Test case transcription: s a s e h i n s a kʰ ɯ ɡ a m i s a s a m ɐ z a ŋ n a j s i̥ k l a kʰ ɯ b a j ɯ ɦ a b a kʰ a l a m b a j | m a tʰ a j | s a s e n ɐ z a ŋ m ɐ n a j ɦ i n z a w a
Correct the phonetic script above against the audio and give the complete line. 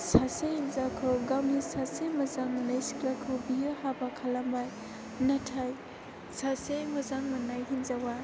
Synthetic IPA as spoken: s a s e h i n z a kʰ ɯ ɡ a m i s a s e m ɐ z a ŋ n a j s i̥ k l a kʰ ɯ b i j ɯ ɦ a b a kʰ a l a m b a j | n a tʰ a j | s a s e m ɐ z a ŋ m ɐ n a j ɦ i n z a w a

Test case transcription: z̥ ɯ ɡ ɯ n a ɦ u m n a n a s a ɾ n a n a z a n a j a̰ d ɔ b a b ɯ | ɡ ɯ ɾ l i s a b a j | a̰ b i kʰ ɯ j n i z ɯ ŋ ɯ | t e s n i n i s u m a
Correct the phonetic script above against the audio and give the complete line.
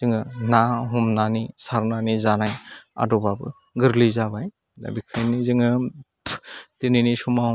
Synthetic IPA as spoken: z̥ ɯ ŋ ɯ n a ɦ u m n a n i s a ɾ n a n i z a n a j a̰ d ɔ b a b ɯ | ɡ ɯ ɾ l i z a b a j | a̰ b i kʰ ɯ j n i z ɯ ŋ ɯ | t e n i n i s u m a

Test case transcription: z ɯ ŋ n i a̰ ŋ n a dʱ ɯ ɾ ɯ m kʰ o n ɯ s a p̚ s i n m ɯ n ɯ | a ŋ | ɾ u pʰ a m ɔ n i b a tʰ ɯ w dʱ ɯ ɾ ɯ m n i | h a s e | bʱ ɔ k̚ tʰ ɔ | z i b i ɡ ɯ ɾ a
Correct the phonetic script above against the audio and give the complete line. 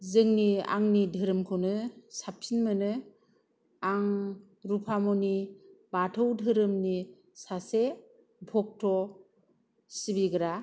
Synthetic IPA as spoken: z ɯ ŋ n i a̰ ŋ n i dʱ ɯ ɾ ɯ m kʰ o n ɯ s a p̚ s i n m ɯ n ɯ | a ŋ | ɾ u pʰ a m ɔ n i b a tʰ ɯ w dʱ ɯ ɾ ɯ m n i | s a s e | bʱ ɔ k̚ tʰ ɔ | s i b i ɡ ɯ ɾ a

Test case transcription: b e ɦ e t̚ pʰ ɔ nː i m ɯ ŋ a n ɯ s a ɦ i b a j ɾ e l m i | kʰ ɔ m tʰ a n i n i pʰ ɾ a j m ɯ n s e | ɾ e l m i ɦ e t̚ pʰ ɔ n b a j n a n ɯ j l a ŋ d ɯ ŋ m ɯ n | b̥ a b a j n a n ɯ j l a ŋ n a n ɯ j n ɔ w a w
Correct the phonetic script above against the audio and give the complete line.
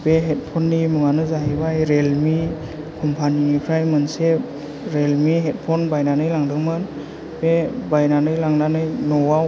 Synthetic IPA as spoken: b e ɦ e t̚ pʰ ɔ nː i m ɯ ŋ a n ɯ z a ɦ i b a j ɾ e l m i | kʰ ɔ m pʰ a n i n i pʰ ɾ a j m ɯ n s e | ɾ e l m i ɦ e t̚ pʰ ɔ n b a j n a n ɯ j l a ŋ d ɯ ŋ m ɯ n | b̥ e b a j n a n ɯ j l a ŋ n a n ɯ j n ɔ w a w

